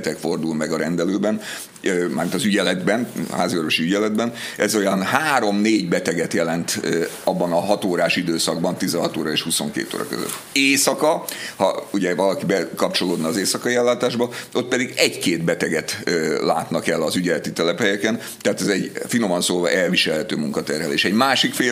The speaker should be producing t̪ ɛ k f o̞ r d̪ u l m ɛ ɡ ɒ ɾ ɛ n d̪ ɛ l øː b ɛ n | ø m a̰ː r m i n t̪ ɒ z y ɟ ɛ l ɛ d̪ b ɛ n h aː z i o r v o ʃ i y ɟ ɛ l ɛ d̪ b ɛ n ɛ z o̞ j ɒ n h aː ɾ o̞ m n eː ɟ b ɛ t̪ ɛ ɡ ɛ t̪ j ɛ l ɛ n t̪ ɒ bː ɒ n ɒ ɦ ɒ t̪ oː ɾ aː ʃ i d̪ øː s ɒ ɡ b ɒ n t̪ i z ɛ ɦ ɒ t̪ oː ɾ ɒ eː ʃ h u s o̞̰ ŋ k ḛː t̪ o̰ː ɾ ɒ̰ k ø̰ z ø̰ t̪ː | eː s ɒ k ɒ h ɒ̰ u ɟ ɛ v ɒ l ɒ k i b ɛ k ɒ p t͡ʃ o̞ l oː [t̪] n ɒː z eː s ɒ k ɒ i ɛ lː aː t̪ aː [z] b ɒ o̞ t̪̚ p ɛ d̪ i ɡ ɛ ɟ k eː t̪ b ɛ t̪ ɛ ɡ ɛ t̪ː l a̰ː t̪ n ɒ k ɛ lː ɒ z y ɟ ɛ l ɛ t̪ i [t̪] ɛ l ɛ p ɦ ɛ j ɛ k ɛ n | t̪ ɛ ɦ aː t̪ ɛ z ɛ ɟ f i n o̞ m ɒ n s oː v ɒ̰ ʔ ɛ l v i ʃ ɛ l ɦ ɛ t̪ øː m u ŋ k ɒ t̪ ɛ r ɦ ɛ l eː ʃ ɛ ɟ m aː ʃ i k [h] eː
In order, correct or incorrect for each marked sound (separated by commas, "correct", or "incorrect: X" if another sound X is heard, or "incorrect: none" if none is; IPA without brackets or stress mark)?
incorrect: d̪, incorrect: ʒ, correct, incorrect: f